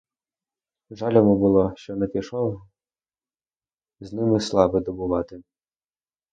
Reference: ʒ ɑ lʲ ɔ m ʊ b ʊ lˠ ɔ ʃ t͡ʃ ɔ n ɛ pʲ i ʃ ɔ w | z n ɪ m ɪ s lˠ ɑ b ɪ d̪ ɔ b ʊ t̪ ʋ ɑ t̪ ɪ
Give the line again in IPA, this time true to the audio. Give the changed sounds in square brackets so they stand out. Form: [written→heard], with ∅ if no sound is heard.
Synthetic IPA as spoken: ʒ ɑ lʲ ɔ m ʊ b ʊ lˠ ɔ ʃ t͡ʃ ɔ n ɛ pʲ i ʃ ɔ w | z n ɪ m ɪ s lˠ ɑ b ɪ d̪ ɔ b ʊ [t̪→∅] ʋ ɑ t̪ ɪ